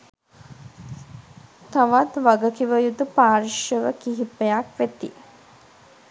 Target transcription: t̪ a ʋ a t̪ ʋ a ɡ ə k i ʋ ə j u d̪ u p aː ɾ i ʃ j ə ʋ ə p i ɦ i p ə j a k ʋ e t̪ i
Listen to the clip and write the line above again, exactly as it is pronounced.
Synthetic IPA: t̪ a ʋ a t̪ ʋ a ɡ ə k i ʋ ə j u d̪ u p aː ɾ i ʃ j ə ʋ ə k i ɦ i p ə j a k ʋ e t̪ i